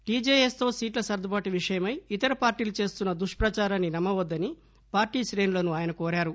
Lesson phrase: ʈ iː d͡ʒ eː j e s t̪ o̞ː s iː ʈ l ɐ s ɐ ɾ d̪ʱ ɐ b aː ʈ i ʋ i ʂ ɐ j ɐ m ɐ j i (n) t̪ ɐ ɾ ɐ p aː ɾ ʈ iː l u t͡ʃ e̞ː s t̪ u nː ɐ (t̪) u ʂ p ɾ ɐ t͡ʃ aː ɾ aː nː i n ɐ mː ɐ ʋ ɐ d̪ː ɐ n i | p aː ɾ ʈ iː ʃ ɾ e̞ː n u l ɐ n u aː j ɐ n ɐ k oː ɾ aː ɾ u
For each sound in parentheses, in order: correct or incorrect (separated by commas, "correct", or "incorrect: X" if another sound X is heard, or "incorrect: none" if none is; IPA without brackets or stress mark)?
incorrect: none, incorrect: d̪